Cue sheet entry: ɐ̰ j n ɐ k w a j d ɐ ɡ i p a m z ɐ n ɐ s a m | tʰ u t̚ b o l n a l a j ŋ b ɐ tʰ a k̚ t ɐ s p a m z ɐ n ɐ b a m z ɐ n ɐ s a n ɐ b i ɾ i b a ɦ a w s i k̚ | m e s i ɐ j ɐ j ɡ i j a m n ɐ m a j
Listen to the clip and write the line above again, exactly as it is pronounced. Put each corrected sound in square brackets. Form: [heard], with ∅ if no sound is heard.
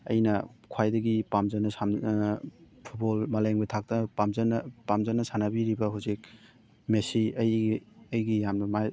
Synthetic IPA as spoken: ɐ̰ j n ɐ [kʰ] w a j d ɐ ɡ i p a m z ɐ n ɐ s a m | [pʰ] u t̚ b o l [m] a l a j ŋ b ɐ tʰ a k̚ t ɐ [∅] p a m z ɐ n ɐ [p] a m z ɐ n ɐ s a n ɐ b i ɾ i b [ɐ] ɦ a w [z] i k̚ | m e s i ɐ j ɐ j ɡ i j a m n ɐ m a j